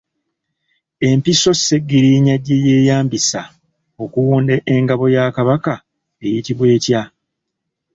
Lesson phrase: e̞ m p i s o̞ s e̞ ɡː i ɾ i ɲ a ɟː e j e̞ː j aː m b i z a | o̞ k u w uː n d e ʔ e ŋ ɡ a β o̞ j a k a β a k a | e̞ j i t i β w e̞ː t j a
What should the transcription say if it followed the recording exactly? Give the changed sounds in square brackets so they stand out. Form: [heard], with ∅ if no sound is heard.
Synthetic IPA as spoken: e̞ m p i s o̞ s e̞ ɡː i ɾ i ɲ a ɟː e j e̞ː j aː m b i [s] a | o̞ k u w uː n d e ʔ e ŋ ɡ a β o̞ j a k a β a k a | e̞ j i t i β w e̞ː t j a